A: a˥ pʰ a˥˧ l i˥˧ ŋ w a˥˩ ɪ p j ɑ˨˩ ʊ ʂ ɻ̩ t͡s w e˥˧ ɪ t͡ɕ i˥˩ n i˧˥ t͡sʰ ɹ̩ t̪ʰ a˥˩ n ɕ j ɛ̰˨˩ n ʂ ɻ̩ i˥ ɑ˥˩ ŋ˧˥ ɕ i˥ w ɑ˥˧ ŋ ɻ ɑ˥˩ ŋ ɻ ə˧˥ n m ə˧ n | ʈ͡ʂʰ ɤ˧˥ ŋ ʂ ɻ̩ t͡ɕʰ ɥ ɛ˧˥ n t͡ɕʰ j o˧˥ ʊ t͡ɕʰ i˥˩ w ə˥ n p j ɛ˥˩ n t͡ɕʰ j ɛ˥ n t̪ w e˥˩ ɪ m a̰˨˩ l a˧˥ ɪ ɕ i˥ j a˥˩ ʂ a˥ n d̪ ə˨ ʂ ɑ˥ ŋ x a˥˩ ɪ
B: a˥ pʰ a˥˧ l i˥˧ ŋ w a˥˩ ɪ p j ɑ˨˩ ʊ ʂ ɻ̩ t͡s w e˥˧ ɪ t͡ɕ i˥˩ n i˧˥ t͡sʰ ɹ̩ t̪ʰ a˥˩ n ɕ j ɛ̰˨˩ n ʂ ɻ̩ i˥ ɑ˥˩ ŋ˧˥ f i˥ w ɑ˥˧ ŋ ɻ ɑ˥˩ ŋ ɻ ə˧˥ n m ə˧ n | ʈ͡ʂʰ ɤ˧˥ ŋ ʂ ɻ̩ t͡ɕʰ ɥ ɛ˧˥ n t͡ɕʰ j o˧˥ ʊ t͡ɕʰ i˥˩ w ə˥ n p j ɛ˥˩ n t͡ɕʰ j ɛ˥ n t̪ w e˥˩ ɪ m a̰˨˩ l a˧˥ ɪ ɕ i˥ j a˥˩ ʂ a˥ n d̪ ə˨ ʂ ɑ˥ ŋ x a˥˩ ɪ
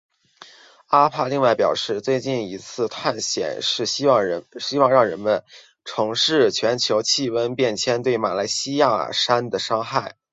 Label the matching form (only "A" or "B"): A